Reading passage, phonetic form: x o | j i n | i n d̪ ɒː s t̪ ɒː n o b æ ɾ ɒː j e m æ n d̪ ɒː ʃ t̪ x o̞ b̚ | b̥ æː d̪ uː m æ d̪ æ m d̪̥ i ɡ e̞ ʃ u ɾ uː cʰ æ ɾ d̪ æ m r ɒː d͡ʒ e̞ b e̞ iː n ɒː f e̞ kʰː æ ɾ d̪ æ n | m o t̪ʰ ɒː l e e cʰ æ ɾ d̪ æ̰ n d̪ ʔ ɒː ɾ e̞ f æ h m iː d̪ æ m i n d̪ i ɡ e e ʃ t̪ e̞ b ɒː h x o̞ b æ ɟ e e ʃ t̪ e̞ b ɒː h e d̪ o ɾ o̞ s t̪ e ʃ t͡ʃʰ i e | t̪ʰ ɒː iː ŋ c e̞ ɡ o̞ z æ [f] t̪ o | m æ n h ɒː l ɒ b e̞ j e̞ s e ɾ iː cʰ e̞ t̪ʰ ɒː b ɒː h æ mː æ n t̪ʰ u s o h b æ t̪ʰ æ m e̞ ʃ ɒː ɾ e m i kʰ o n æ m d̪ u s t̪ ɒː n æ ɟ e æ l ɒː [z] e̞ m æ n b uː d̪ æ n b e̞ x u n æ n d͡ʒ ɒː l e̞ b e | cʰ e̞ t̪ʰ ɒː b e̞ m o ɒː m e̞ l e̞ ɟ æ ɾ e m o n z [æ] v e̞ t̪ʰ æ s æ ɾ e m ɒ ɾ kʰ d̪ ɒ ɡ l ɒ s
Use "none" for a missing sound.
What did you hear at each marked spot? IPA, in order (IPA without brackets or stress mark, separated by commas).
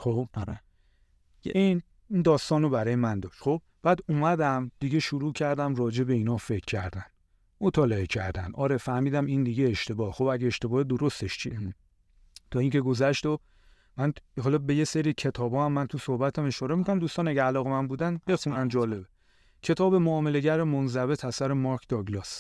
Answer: ʃ, ɣ, æ